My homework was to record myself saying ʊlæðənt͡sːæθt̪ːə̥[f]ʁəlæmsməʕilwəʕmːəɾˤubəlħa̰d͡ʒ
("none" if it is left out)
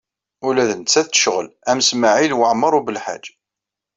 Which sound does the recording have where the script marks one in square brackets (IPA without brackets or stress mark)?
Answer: ʃ